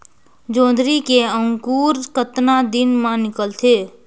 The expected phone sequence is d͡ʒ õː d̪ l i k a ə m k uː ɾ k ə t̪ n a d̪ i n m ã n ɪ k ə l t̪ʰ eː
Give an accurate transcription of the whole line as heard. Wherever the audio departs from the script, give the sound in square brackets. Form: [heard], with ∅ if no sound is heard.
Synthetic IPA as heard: d͡ʒ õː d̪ [ɾ] i k [e] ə [ŋ] k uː ɾ k ə t̪ n a d̪ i n m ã n ɪ k ə l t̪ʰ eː